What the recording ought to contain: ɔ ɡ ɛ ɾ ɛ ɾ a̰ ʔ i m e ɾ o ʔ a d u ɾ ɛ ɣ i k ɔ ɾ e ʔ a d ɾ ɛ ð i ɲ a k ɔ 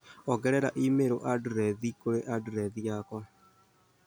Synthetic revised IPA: ɔ ɡ ɛ ɾ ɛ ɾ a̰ ʔ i m e ɾ o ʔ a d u ɾ ɛ ð i k o ɾ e ʔ a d ɾ ɛ ð i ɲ a k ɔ